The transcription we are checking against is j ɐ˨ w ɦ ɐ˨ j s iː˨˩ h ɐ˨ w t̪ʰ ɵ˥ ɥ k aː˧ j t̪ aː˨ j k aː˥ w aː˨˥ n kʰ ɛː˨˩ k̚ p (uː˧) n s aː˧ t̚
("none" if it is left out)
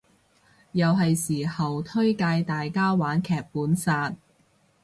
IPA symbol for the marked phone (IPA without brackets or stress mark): uː˨˥